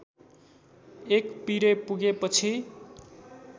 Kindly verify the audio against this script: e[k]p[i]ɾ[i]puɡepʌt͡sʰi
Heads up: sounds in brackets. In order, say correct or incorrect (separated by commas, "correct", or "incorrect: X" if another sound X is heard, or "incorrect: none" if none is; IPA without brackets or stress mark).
correct, correct, incorrect: e